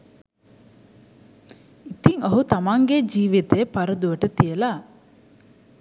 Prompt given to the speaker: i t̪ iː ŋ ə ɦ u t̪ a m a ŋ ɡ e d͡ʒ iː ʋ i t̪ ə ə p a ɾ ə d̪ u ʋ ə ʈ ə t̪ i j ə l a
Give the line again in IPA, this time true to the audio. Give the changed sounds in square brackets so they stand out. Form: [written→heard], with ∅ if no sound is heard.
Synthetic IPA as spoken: i t̪ [iː→i] ŋ ə ɦ u t̪ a m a ŋ ɡ e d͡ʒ iː ʋ i t̪ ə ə p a ɾ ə d̪ u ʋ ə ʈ ə t̪ i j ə l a